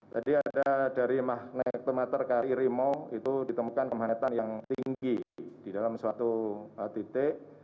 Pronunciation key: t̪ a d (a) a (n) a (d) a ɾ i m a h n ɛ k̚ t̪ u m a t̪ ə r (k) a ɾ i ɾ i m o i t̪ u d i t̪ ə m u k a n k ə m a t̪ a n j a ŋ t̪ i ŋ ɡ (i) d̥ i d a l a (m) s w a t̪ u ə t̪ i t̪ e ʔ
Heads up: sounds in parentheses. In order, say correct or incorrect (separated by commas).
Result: incorrect, incorrect, correct, correct, correct, correct